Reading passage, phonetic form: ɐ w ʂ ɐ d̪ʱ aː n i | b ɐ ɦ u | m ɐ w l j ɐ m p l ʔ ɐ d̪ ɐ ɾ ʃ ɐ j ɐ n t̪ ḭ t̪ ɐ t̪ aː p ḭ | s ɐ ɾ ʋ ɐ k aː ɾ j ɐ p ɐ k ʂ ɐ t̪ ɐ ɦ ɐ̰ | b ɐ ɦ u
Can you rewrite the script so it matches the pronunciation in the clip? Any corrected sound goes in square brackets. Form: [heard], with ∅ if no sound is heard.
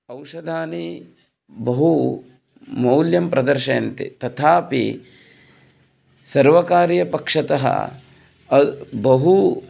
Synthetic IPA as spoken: ɐ w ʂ ɐ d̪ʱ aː n i | b ɐ ɦ u | m ɐ w l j ɐ m p [ɾ] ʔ ɐ d̪ ɐ ɾ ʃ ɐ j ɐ n t̪ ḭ t̪ ɐ [t̪ʰ] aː p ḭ | s ɐ ɾ ʋ ɐ k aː ɾ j ɐ p ɐ k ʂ ɐ t̪ ɐ ɦ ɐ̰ | b ɐ ɦ u

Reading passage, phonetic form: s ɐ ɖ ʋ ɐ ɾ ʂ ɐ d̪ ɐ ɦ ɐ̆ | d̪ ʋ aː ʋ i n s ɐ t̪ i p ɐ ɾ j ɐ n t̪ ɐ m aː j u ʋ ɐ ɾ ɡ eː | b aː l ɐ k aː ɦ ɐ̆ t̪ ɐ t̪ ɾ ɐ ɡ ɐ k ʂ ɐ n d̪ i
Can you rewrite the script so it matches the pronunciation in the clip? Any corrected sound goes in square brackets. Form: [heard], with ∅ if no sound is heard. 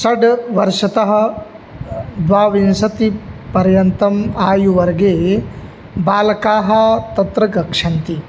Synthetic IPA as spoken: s ɐ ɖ ʋ ɐ ɾ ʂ ɐ [t̪] ɐ ɦ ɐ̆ | d̪ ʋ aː ʋ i n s ɐ t̪ i p ɐ ɾ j ɐ n t̪ ɐ m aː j u ʋ ɐ ɾ ɡ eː | b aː l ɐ k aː ɦ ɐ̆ t̪ ɐ t̪ ɾ ɐ ɡ ɐ k ʂ ɐ n [t̪] i

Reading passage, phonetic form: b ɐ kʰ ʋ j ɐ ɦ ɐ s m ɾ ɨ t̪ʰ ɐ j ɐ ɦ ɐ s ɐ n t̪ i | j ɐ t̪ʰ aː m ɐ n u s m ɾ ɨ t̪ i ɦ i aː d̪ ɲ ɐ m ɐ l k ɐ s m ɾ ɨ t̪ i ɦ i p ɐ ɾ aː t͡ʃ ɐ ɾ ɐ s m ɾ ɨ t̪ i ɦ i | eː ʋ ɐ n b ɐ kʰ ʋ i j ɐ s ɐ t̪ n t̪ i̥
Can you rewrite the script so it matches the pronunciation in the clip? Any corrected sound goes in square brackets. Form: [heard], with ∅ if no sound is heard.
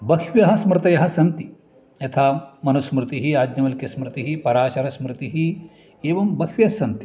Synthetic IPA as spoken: b ɐ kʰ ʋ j ɐ ɦ ɐ s m ɾ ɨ [t̪] ɐ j ɐ ɦ ɐ s ɐ n t̪ i | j ɐ t̪ʰ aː m ɐ n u s m ɾ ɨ t̪ i ɦ i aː d̪ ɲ ɐ m ɐ l k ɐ s m ɾ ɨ t̪ i ɦ i p ɐ ɾ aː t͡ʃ ɐ ɾ ɐ s m ɾ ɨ t̪ i ɦ i | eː ʋ ɐ [m] b ɐ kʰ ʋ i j ɐ s ɐ [∅] n t̪ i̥

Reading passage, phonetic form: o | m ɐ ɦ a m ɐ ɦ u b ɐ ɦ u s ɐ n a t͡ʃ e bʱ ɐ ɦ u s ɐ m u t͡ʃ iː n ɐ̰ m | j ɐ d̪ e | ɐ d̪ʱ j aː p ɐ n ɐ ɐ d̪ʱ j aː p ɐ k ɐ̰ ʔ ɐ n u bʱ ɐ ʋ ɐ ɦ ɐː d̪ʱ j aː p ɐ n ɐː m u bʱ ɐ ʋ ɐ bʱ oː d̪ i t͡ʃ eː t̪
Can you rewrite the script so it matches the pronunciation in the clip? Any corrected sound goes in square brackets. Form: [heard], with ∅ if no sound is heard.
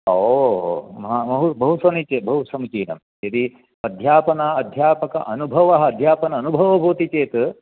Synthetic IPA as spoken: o | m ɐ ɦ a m ɐ ɦ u b ɐ ɦ u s ɐ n [i] t͡ʃ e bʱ ɐ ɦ u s ɐ m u t͡ʃ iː n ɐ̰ m | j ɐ d̪ [i] | ɐ d̪ʱ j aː p ɐ n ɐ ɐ d̪ʱ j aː p ɐ k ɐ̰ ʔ ɐ n u bʱ ɐ ʋ ɐ ɦ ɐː d̪ʱ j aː p ɐ n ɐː [n] u bʱ ɐ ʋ ɐ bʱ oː [t̪] i t͡ʃ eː t̪

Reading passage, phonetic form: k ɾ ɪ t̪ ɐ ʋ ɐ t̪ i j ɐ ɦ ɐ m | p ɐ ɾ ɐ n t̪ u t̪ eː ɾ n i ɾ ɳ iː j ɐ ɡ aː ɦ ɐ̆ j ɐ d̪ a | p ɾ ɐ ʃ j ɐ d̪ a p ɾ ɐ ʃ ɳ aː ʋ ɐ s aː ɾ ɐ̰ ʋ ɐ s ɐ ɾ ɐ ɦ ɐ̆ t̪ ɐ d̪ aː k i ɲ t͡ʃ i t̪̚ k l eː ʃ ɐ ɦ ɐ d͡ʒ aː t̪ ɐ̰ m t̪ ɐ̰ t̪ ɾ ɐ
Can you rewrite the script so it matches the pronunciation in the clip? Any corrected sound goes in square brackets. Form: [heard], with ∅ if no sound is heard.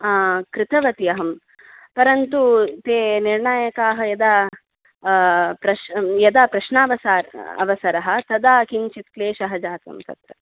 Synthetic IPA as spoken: k ɾ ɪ t̪ ɐ ʋ ɐ t̪ i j ɐ ɦ ɐ m | p ɐ ɾ ɐ n t̪ u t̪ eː [∅] n i ɾ ɳ [aː] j ɐ [k] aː ɦ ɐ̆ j ɐ d̪ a | p ɾ ɐ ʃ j ɐ d̪ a p ɾ ɐ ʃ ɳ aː ʋ ɐ s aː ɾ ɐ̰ ʋ ɐ s ɐ ɾ ɐ ɦ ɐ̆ t̪ ɐ d̪ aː k i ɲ t͡ʃ i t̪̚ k l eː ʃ ɐ ɦ ɐ d͡ʒ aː t̪ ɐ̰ m t̪ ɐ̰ t̪ ɾ ɐ

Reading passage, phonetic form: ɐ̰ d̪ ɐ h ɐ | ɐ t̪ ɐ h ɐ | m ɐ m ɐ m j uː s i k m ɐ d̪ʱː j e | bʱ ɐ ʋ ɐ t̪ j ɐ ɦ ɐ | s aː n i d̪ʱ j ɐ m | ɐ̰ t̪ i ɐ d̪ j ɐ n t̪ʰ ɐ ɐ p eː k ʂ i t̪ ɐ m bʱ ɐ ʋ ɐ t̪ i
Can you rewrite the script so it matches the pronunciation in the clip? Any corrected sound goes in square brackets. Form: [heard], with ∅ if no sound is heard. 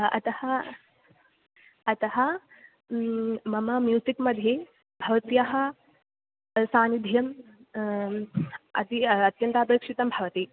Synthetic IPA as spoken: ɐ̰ [t̪] ɐ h ɐ | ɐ t̪ ɐ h ɐ | m ɐ m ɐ m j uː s i k m ɐ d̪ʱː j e | bʱ ɐ ʋ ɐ t̪ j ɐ ɦ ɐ | s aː n i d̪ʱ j ɐ m | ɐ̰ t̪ i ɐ [t̪] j ɐ n [t̪] ɐ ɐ p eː k ʂ i t̪ ɐ m bʱ ɐ ʋ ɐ t̪ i

